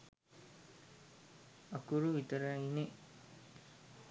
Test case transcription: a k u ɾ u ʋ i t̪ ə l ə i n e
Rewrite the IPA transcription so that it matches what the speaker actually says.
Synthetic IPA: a k u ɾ u ʋ i t̪ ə ɾ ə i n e